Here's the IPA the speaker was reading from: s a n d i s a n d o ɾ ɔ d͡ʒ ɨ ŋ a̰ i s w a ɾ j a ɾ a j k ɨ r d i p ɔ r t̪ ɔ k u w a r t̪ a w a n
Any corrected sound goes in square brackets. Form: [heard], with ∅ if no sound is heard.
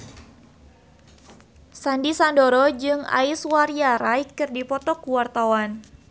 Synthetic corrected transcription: s a n d i s a n d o ɾ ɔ d͡ʒ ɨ ŋ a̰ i s w a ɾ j a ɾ a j k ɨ r d i p ɔ [∅] t̪ ɔ k u w a r t̪ a w a n